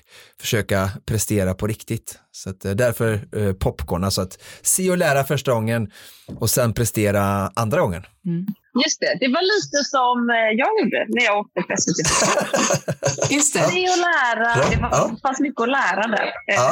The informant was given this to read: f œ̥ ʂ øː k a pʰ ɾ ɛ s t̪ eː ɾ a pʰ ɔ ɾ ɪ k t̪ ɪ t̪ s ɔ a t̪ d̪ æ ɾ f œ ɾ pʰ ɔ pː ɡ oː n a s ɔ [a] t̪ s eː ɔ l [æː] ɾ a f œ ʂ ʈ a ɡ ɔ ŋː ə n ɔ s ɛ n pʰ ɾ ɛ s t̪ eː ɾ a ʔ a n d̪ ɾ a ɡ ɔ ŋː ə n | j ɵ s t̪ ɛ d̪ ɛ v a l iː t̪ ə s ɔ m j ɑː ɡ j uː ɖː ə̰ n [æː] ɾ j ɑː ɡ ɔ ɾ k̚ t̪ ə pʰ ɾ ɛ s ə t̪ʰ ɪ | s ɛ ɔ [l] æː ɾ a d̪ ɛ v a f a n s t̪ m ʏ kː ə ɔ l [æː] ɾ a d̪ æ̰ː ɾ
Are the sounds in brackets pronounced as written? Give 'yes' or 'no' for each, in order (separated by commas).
yes, yes, no, yes, yes